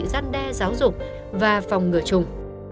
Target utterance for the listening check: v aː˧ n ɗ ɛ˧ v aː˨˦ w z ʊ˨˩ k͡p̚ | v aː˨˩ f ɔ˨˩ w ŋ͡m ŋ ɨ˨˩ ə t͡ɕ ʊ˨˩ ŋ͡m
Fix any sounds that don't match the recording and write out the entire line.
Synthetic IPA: z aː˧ n ɗ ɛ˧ z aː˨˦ w z ʊ˨˩ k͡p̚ | v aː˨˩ f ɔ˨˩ w ŋ͡m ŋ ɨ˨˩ ə t͡ɕ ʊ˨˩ ŋ͡m